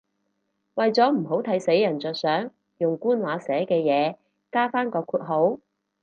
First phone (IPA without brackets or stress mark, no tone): w